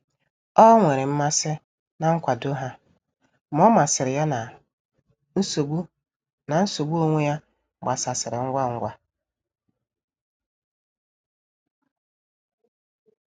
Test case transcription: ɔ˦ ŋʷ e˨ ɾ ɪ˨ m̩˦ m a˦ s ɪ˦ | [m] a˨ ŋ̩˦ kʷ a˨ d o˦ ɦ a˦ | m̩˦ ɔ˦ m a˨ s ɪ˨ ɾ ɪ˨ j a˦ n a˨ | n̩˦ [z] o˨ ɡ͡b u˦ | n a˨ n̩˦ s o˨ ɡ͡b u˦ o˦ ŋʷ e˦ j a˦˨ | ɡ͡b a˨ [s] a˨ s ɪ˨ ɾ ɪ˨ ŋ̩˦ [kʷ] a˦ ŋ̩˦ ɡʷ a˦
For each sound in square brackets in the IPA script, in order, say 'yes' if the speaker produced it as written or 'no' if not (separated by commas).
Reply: no, no, yes, no